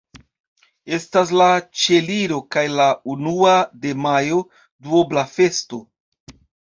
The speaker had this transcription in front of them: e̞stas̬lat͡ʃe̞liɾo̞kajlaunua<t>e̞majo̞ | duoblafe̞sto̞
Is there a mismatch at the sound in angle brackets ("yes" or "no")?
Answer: yes